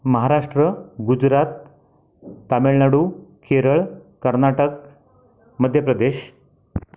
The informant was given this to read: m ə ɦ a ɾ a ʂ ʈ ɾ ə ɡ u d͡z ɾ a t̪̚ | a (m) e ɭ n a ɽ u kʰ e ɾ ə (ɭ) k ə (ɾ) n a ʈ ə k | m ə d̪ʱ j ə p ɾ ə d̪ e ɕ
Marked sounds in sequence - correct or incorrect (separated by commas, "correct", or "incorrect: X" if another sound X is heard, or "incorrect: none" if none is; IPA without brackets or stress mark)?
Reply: correct, correct, correct